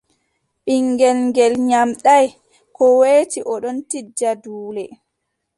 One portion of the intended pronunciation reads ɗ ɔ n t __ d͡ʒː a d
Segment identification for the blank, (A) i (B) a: A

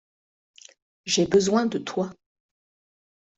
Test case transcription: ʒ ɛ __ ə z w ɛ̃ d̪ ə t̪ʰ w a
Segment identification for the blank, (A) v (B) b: B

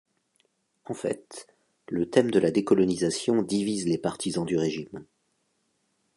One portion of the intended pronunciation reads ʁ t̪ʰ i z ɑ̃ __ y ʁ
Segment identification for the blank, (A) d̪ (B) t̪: A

